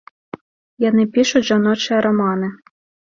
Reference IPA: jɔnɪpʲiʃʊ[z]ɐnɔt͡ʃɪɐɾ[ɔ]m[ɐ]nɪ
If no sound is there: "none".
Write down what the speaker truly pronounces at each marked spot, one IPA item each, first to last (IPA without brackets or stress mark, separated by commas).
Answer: ʒ, ɔ, ɑ